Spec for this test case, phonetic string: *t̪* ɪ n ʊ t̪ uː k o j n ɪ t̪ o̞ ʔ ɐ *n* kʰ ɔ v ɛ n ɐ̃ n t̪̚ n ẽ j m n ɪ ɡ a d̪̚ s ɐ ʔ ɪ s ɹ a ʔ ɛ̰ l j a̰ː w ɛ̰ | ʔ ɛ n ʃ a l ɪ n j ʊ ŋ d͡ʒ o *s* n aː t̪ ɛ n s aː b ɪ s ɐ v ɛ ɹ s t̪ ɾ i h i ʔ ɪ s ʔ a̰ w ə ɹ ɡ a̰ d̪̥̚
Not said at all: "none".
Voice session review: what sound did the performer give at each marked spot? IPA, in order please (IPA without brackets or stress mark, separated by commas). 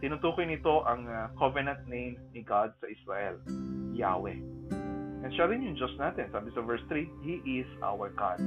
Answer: t̪, ŋ, s